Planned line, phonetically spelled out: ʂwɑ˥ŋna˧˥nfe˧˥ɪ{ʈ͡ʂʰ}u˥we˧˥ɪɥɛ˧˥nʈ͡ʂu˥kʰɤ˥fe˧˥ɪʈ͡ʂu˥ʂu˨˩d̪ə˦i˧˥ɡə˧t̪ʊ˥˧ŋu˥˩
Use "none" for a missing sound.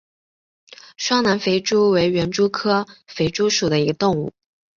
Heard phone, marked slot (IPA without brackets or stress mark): ʈ͡ʂ